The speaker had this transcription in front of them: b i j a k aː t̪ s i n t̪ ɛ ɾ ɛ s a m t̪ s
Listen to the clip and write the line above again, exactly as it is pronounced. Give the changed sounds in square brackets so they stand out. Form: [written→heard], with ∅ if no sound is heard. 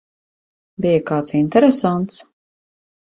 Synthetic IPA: b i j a k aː t̪ s i n t̪ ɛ ɾ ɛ s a [m→n] t̪ s